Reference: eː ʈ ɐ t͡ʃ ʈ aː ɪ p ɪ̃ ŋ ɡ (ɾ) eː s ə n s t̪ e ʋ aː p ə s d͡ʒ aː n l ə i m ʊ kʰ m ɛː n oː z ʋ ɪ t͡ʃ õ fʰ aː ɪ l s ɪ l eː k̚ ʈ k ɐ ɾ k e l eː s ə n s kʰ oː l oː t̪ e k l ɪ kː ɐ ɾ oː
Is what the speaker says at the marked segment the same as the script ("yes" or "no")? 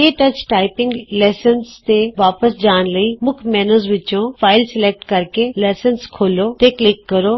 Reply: no